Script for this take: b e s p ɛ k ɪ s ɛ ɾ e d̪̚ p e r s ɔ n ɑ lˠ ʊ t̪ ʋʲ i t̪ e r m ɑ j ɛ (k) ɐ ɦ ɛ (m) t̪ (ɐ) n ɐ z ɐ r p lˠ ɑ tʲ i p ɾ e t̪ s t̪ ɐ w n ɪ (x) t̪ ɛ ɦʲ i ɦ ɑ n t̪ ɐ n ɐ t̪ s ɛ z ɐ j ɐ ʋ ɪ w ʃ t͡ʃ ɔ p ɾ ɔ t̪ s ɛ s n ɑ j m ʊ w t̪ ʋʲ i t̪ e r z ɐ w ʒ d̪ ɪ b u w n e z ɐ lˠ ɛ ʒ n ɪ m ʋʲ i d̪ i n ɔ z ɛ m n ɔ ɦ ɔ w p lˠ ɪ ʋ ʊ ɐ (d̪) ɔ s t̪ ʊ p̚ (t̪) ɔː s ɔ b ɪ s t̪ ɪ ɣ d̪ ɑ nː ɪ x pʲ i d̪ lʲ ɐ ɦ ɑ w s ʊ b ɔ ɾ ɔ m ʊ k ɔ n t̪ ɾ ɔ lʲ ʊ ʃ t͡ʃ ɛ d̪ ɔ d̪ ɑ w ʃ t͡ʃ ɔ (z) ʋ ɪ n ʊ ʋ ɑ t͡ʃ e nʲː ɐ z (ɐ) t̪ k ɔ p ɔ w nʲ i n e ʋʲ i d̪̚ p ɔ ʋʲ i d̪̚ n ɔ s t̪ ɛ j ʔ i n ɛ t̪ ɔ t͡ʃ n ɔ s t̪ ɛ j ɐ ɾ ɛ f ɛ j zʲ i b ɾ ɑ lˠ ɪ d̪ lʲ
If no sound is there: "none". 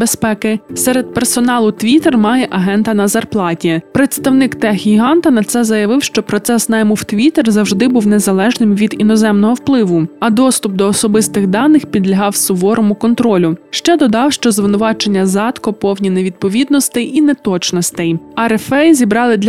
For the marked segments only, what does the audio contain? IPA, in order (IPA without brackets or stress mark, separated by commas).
ʔ, n, ɐ, k, d̪, d̪, z, ɑ